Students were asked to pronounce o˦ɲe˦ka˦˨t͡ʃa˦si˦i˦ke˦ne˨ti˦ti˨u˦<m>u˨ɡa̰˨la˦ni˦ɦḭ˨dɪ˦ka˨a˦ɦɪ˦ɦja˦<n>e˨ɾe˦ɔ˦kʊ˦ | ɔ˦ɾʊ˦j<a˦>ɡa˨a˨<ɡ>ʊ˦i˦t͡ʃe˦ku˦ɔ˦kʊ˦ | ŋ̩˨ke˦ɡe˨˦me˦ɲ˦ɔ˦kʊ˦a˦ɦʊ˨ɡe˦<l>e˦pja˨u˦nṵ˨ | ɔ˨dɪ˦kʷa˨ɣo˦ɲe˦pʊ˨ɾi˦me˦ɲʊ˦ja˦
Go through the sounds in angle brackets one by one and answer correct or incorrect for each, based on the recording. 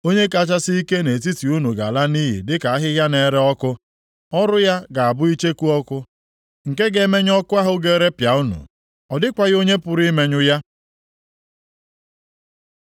incorrect: n, correct, correct, incorrect: b, incorrect: ɾ

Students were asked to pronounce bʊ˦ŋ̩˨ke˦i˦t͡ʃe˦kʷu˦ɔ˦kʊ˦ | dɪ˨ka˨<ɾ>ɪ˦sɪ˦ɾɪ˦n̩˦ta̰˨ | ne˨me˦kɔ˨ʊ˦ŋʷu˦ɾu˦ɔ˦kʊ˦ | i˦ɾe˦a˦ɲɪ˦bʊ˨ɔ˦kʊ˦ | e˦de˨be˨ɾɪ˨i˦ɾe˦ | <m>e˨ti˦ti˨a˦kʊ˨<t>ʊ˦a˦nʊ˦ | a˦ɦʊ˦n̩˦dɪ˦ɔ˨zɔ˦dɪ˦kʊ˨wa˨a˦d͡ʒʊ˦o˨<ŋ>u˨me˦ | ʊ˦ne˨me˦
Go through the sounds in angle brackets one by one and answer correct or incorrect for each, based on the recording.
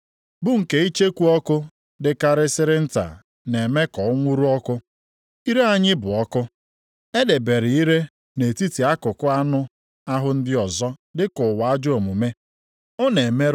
correct, incorrect: n, incorrect: k, incorrect: m

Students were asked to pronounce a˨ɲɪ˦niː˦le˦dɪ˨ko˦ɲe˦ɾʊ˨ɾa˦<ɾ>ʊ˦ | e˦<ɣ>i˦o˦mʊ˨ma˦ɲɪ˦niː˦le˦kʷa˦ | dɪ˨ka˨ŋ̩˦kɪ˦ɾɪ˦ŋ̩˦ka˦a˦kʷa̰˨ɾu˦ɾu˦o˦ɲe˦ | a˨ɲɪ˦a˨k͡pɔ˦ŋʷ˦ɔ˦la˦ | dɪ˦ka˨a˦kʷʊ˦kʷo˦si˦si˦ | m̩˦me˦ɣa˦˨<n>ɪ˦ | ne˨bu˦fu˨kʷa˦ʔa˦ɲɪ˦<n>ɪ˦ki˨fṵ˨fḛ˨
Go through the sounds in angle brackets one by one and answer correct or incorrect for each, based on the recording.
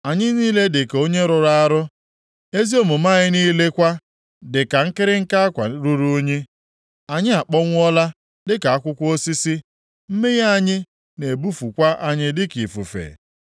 correct, incorrect: z, incorrect: ɲ, incorrect: d

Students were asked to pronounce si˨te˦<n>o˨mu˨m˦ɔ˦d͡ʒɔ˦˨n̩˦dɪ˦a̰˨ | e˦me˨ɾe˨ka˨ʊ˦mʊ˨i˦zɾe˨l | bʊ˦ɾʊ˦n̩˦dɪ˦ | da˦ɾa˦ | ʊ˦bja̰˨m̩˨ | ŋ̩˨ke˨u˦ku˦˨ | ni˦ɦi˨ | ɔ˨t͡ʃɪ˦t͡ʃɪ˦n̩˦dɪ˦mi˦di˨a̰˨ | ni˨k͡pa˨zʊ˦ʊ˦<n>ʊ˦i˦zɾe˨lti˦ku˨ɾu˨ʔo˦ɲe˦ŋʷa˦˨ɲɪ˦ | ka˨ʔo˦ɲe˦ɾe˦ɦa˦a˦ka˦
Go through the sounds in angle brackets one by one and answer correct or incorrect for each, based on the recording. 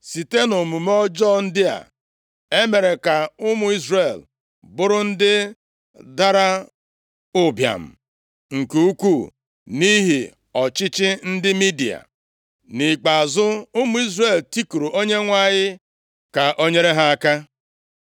correct, incorrect: m

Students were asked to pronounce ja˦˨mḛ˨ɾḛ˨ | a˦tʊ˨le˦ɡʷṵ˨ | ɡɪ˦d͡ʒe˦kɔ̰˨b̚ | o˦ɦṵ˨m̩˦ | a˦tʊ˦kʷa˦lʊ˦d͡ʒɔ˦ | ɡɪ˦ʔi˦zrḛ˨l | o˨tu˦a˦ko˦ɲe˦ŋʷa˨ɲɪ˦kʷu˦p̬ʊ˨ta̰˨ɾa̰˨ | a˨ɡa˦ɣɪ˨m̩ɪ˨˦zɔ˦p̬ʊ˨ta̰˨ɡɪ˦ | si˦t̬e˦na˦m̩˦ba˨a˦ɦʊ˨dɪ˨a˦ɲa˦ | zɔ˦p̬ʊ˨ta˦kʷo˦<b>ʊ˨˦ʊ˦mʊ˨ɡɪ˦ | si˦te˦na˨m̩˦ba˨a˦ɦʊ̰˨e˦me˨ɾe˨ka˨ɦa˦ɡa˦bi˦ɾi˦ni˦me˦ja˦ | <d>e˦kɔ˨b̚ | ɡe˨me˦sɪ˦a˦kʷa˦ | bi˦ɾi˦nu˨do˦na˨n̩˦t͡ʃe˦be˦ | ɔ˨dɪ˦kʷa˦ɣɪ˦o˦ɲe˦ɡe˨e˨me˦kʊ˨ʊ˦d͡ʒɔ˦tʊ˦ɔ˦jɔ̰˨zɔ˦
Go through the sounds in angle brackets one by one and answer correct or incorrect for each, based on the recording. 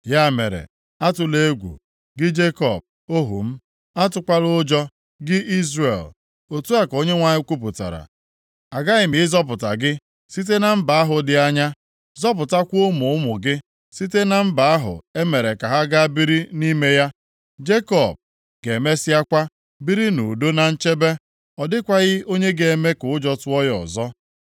incorrect: m, incorrect: d͡ʒ

